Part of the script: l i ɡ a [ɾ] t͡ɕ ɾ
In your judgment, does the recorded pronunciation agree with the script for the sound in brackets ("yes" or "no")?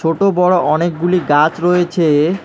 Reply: no